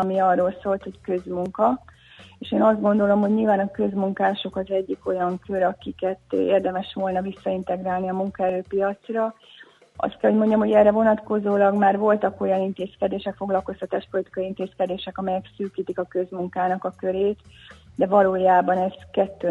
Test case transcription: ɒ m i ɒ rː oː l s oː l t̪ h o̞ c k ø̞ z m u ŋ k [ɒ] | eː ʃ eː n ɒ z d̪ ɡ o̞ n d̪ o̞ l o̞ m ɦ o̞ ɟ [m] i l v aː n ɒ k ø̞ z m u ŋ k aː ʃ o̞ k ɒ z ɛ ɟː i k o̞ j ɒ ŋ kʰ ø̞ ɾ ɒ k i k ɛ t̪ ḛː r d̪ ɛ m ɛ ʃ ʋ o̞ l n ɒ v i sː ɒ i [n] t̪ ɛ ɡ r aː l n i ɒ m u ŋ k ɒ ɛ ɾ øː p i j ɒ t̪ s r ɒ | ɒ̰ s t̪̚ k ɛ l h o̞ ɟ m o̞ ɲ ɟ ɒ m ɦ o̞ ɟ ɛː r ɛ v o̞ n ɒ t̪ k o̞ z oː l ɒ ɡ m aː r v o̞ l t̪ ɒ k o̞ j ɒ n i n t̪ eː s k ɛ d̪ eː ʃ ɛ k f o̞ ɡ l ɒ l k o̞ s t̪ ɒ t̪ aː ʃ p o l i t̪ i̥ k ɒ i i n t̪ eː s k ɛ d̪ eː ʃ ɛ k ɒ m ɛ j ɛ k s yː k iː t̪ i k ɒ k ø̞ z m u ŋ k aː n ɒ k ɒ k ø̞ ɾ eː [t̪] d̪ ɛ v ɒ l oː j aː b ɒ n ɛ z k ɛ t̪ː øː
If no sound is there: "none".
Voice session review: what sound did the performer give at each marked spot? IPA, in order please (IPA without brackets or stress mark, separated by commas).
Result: ɒ, ɲ, n, t̪